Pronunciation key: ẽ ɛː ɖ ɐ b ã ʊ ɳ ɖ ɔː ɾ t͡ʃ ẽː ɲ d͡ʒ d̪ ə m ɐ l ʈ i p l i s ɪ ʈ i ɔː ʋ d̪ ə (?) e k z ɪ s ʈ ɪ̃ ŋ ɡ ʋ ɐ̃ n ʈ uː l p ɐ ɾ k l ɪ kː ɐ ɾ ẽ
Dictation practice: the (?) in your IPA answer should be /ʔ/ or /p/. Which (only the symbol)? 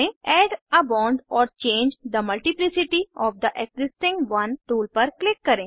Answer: ʔ